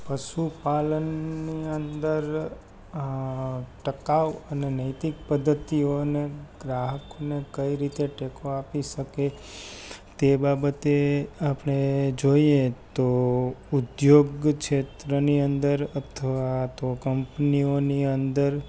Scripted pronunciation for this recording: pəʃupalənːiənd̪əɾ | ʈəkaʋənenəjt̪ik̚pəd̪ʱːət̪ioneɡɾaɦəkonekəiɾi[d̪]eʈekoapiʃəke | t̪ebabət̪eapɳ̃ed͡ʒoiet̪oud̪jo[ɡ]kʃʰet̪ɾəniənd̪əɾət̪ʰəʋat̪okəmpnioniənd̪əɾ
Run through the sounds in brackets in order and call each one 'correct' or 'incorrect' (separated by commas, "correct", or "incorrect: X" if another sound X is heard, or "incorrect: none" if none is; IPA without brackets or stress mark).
incorrect: t̪, correct